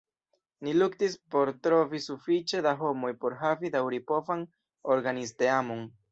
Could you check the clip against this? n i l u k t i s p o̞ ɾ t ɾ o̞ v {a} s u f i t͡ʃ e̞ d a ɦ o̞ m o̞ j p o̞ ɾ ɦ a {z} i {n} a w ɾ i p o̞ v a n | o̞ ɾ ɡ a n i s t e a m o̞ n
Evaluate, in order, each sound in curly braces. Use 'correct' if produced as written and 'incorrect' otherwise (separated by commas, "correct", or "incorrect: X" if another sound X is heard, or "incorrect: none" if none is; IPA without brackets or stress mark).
incorrect: i, incorrect: v, incorrect: d